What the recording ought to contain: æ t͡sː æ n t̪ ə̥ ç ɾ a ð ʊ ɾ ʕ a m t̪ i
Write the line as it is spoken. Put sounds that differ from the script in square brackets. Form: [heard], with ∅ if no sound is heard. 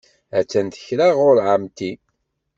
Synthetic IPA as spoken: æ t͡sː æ n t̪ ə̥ ç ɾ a [ʁ] ʊ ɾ ʕ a m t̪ i